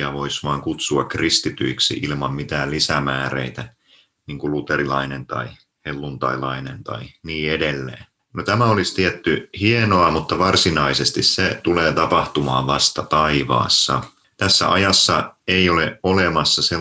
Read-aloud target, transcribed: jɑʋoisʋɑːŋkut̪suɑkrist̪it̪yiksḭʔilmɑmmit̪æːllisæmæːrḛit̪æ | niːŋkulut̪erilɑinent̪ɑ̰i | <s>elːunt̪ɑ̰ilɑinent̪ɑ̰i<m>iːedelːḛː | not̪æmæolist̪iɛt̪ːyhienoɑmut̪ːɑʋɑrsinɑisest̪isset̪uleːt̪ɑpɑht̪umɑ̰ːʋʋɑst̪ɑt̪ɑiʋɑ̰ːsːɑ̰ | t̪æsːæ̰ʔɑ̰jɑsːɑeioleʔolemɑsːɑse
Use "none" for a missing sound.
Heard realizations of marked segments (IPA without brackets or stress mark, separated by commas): h, n